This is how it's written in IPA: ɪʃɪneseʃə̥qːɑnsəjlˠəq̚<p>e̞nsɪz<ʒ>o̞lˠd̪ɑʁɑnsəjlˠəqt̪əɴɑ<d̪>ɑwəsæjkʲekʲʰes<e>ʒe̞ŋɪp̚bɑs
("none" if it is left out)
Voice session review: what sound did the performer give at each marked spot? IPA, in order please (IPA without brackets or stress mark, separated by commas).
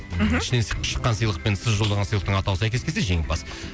p, ʒ, t̪, e